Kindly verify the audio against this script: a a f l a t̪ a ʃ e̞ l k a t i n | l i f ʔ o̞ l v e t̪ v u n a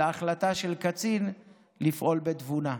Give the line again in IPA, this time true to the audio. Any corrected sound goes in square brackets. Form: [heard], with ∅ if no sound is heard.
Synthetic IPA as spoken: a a [χ] l a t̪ a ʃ e̞ l k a [t͡s] i n | l i f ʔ o̞ l [b] e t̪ v u n a